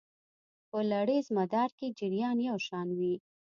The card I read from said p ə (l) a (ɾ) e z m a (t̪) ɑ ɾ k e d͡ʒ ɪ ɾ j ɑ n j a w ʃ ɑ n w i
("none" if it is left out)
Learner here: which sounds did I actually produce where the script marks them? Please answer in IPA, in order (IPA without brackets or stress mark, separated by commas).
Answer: l, ɽ, d̪